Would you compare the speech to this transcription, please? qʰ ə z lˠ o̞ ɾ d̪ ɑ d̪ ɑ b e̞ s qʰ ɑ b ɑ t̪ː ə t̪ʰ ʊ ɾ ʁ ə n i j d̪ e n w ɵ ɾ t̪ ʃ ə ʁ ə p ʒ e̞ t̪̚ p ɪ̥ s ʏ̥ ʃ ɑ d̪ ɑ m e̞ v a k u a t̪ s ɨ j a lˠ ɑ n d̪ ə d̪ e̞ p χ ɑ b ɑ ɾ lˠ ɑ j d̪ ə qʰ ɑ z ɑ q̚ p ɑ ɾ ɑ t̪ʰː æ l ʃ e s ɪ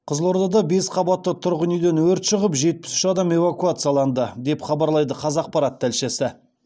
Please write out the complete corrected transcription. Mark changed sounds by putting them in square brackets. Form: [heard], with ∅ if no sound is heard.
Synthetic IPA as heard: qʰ ə z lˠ o̞ ɾ d̪ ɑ d̪ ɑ b e̞ s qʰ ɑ b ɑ t̪ː ə t̪ʰ ʊ ɾ ʁ ə n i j d̪ e n w ɵ ɾ t̪ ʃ ə ʁ ə p ʒ e̞ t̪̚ p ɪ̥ s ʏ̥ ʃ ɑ d̪ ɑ m e̞ v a k u a t̪ s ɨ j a lˠ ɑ n d̪ ə d̪ e̞ p χ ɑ b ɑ ɾ lˠ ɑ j d̪ ə qʰ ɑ z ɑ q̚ p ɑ ɾ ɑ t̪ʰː æ l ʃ e s ɪ